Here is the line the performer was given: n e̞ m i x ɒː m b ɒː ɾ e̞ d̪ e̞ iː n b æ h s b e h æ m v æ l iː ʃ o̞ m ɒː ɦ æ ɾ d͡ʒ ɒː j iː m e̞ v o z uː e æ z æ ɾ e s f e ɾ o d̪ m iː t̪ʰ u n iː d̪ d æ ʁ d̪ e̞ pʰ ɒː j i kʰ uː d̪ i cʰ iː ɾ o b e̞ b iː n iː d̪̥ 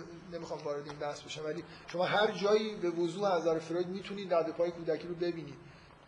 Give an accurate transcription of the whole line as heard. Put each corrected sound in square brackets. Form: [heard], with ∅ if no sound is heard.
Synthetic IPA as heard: n e̞ m i x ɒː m [v] ɒː ɾ e̞ d̪ e̞ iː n b æ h s b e [ʃ] æ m v æ l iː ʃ o̞ m ɒː ɦ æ ɾ d͡ʒ ɒː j iː [b] e̞ v o z uː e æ z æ ɾ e [∅] f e ɾ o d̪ m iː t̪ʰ u n iː d̪ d æ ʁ d̪ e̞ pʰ ɒː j [e] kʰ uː d̪ [æ] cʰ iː ɾ o b e̞ b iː n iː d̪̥